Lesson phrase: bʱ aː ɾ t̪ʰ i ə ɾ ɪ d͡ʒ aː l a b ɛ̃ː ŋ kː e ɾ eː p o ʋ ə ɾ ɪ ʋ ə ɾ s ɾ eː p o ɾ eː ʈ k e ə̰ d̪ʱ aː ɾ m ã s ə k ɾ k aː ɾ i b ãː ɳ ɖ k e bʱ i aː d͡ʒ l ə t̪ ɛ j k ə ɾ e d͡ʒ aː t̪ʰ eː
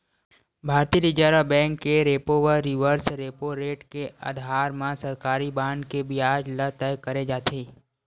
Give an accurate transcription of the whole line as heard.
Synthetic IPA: bʱ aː ɾ t̪ i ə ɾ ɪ d͡ʒ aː ɾ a b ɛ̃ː ŋ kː e ɾ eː p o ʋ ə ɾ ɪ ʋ ə ɾ s ɾ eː p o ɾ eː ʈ k e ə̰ d̪ʱ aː ɾ m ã s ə ɾ k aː ɾ i b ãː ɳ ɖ k e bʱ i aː d͡ʒ l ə t̪ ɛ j k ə ɾ e d͡ʒ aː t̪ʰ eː